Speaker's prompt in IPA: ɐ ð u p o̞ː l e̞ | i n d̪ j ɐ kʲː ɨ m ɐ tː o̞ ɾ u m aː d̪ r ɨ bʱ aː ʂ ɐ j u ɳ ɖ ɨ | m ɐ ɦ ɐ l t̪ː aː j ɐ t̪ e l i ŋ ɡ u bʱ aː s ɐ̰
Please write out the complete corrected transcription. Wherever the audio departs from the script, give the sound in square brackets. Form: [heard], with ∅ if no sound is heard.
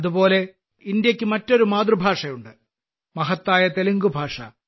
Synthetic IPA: ɐ ð u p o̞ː l e̞ | i n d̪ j ɐ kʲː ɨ m ɐ tː o̞ ɾ u m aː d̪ r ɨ bʱ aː ʂ ɐ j u ɳ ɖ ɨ | m ɐ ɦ ɐ [∅] t̪ː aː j ɐ t̪ e l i ŋ ɡ u bʱ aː [ʂ] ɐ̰